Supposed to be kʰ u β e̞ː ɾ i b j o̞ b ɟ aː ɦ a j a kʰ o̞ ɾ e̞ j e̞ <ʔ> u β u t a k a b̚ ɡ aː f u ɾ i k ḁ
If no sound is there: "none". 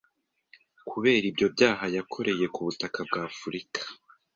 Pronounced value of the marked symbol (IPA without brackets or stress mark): k